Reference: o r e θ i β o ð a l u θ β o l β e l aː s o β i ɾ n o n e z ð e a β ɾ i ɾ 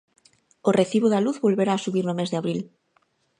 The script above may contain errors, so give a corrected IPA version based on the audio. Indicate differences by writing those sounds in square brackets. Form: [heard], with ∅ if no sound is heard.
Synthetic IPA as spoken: o r e θ i β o ð a l u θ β o l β e [ɾ] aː s [u] β i ɾ n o [m] e z ð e a β ɾ i [l]